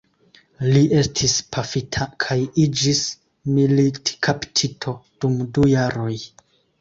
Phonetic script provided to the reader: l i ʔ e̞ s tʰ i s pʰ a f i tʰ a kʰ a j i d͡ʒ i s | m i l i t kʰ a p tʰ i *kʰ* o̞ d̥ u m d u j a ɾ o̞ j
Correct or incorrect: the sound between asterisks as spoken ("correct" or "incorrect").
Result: incorrect